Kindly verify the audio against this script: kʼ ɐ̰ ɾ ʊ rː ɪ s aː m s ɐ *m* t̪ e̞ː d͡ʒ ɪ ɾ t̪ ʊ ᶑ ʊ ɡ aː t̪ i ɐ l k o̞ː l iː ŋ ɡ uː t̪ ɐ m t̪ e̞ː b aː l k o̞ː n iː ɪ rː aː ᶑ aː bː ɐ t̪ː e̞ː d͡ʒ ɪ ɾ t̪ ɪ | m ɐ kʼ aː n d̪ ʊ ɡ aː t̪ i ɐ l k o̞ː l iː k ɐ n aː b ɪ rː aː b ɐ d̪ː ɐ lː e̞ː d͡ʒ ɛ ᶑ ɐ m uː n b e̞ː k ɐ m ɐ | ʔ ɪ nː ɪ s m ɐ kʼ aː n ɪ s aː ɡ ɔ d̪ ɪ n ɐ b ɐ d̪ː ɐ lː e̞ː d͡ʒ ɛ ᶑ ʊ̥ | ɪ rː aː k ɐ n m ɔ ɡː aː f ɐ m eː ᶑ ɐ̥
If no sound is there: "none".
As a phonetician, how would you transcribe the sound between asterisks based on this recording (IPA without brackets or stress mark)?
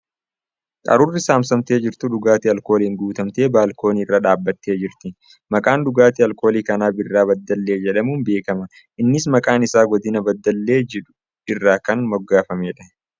m